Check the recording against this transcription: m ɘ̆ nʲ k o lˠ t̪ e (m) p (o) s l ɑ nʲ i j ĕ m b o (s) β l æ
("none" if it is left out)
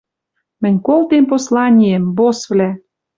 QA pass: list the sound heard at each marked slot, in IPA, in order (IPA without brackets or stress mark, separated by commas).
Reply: m, o, s